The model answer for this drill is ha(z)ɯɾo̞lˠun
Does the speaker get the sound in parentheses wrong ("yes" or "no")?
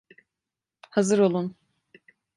no